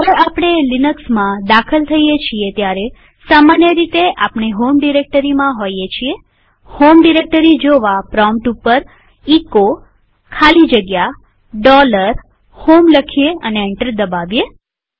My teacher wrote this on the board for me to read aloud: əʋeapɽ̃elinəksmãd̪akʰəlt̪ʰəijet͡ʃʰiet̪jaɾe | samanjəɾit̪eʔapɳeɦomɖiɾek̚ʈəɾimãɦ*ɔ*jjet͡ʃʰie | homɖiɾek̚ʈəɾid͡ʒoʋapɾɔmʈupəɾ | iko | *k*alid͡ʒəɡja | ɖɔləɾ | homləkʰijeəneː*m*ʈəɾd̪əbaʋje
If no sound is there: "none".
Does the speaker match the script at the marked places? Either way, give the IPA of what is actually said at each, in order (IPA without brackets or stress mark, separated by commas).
o, kʰ, ɳ